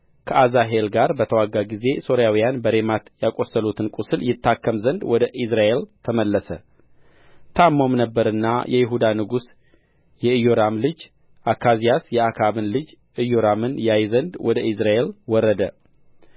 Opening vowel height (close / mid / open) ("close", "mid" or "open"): mid